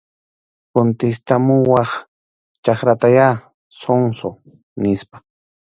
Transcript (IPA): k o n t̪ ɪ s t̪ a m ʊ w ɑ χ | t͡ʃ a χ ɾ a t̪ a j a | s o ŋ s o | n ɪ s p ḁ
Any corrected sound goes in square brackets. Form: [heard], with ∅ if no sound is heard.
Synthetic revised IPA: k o n t̪ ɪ s t̪ a m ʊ w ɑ χ | t͡ʃ a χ ɾ a t̪ a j a | s o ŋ s o | n ɪ s p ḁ

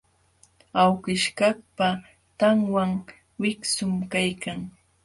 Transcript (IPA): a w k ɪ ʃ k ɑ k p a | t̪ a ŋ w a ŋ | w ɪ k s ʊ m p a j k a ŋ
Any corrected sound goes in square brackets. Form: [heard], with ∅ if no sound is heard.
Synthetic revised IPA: a w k ɪ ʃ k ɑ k p a | t̪ a ŋ w a ŋ | w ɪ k s ʊ m [k] a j k a ŋ

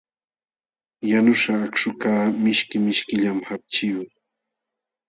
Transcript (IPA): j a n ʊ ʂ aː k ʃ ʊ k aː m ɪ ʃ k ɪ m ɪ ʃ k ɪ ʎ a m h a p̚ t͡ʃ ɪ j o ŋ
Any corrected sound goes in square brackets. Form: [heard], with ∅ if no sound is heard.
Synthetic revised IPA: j a n ʊ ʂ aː k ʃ ʊ k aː m ɪ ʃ k ɪ m ɪ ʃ k ɪ ʎ a m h a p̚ t͡ʃ ɪ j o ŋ

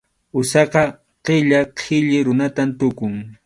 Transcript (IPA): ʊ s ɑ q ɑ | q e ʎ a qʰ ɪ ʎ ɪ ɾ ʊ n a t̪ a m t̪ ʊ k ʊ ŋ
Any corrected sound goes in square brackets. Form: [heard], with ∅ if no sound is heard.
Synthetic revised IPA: ʊ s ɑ q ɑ | q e ʎ a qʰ ɪ ʎ ɪ ɾ ʊ n a t̪ a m t̪ ʊ k ʊ ŋ

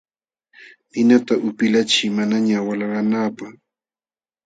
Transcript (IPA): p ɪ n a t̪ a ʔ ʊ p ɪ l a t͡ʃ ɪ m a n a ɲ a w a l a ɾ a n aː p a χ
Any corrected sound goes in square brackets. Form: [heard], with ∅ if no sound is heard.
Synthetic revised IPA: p ɪ n a t̪ a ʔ ʊ p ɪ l a t͡ʃ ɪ m a n a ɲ a w a l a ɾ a n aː p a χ

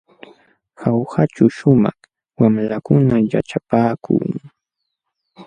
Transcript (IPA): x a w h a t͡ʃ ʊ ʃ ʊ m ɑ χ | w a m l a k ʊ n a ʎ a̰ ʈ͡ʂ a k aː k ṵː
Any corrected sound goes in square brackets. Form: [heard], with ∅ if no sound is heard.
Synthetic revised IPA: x a w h a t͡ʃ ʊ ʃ ʊ m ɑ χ | w a m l a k ʊ n a [j] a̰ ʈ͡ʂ a [p] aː k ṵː

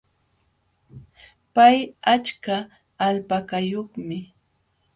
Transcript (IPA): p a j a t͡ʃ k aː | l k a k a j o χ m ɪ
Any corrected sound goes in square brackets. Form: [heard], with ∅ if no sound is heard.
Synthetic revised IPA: p a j a t͡ʃ k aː | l [p] a k a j o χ m ɪ

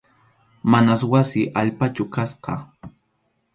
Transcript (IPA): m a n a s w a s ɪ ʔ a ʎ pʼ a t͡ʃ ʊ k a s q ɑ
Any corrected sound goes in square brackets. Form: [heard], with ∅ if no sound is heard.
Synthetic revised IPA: m a n a s w a s ɪ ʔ a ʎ [p] a t͡ʃ ʊ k a s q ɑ

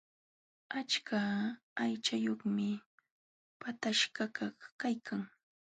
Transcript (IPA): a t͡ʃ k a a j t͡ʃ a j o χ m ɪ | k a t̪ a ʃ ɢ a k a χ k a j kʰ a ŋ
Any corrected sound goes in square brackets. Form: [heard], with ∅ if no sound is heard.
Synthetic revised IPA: a t͡ʃ k a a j t͡ʃ a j o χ m ɪ | [p] a t̪ a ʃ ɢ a k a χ k a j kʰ a ŋ

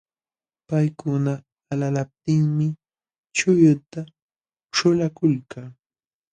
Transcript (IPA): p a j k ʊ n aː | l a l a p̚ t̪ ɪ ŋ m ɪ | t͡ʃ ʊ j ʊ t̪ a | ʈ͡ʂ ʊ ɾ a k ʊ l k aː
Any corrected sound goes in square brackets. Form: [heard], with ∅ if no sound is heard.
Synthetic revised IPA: p a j k ʊ n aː | l a l a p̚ t̪ ɪ ŋ m ɪ | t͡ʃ ʊ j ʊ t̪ a | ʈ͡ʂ ʊ [l] a k ʊ l k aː

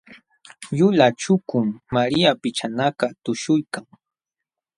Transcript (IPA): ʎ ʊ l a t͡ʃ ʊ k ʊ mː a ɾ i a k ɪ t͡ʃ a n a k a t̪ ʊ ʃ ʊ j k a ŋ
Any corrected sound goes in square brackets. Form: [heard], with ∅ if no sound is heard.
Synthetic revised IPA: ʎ ʊ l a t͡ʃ ʊ k ʊ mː a ɾ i a [p] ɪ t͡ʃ a n a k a t̪ ʊ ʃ ʊ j k a ŋ

